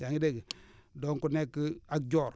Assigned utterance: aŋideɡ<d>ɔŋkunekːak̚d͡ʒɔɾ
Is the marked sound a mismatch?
no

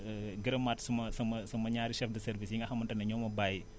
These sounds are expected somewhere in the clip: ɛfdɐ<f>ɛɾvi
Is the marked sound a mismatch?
yes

